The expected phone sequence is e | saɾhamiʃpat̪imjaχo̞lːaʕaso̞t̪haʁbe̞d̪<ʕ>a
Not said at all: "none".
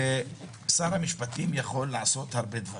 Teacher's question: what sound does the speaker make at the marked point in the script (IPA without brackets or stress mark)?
v